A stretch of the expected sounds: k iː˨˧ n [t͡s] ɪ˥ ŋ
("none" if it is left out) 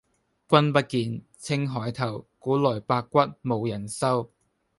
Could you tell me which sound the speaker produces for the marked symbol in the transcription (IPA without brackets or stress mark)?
t͡sʰ